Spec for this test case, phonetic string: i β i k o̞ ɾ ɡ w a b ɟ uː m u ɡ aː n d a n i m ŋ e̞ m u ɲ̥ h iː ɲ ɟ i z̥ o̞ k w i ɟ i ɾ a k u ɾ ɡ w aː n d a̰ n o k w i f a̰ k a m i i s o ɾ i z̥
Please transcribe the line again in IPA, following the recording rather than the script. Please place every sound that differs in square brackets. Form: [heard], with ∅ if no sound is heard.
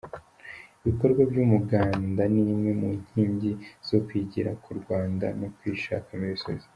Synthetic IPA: i β i k o̞ ɾ ɡ w a b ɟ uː m u ɡ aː n d a n i m ŋ e̞ m u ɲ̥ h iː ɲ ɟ i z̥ o̞ k w i ɟ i ɾ a k u ɾ ɡ w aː n d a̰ n o k w i [ʃ] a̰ k a m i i s o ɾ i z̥